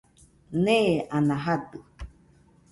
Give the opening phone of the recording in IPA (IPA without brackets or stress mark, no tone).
n